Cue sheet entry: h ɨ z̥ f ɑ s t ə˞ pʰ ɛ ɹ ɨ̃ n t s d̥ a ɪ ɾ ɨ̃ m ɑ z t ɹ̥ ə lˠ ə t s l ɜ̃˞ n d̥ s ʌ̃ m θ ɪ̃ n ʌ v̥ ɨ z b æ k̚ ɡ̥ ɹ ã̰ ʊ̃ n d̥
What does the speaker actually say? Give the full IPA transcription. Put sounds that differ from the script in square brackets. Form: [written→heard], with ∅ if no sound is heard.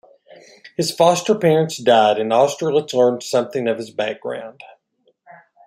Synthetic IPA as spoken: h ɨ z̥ f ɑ s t ə˞ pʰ ɛ ɹ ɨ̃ n t s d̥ a ɪ ɾ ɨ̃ [m→n] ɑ [z→s] t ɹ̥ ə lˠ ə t s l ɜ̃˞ n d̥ s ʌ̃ m θ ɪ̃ [n→ŋ] ʌ v̥ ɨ z b æ k̚ ɡ̥ ɹ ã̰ ʊ̃ n d̥